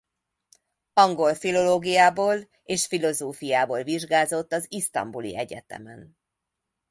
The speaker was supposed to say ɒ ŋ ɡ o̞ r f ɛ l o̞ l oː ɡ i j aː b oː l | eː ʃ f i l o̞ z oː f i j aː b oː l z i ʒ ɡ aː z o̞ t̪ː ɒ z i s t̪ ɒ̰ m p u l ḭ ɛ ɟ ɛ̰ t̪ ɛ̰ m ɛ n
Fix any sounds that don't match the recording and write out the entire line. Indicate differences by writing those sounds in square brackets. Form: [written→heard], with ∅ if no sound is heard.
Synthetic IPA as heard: ɒ ŋ ɡ o̞ [r→l] f [ɛ→i] l o̞ l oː ɡ i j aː b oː l | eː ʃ f i l o̞ z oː f i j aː b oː l [z→v] i ʒ ɡ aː z o̞ t̪ː ɒ z i s t̪ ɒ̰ m [p→b] u l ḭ ɛ ɟ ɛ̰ t̪ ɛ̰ m ɛ n